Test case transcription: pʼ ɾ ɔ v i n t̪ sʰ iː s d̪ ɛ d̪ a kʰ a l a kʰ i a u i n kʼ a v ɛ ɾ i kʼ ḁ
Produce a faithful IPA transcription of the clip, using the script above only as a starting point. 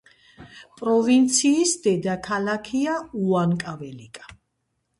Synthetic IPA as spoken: pʼ ɾ ɔ v i n t̪ sʰ iː s d̪ ɛ d̪ a kʰ a l a kʰ i a u a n kʼ a v ɛ l i kʼ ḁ